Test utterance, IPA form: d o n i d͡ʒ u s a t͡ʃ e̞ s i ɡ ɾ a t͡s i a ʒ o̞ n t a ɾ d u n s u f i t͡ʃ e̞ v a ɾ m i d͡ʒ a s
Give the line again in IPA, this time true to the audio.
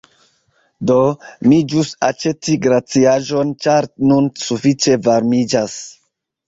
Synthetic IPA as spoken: d o m i d͡ʒ u s a t͡ʃ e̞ t i ɡ ɾ a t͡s i a ʒ o̞ n t͡ʃ a ɾ n u n s u f i t͡ʃ e̞ v a ɾ m i d͡ʒ a s